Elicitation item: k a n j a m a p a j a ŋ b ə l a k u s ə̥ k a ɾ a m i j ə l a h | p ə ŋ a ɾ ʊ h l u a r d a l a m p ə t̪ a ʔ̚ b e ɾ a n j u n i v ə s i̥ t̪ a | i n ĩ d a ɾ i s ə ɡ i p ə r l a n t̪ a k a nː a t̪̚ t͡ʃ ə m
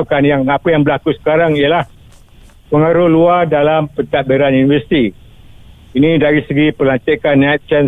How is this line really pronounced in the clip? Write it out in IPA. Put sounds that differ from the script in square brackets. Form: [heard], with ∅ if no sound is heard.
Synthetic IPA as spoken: k a n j a [ŋ] a p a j a ŋ b ə l a k u s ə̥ k a ɾ a [ŋ] i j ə l a h | p ə ŋ a ɾ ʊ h l u a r d a l a m p ə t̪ a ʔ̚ b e ɾ a n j u n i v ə s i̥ t̪ [i] | i n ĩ d a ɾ i s ə ɡ i p ə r l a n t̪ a k a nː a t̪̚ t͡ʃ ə [n]